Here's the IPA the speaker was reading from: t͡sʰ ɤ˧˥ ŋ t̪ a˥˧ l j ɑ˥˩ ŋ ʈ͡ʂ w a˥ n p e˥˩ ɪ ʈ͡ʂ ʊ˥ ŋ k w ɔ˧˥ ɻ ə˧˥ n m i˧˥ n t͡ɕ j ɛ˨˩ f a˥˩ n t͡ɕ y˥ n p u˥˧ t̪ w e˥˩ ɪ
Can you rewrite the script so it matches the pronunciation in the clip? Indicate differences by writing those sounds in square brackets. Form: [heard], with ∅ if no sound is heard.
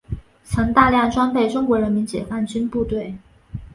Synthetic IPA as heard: t͡sʰ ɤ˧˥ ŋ t̪ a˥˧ l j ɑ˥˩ ŋ ʈ͡ʂ w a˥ n p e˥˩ ɪ ʈ͡ʂ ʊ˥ ŋ k w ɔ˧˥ ɻ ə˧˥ n m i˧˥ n t͡ɕ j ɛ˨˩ f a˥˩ n t͡ɕ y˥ n p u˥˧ t̪ w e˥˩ ɪ